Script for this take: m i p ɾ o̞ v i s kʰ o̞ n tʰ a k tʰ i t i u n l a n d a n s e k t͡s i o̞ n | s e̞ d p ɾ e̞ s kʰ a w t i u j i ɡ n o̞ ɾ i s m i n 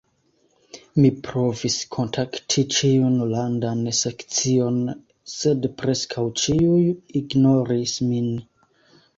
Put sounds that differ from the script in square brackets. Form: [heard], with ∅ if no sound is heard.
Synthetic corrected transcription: m i p ɾ o̞ v i s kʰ o̞ n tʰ a k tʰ i [t͡ʃ] i u n l a n d a n s e k t͡s i o̞ n | s e̞ d p ɾ e̞ s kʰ a w [t͡ʃ] i u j i ɡ n o̞ ɾ i s m i n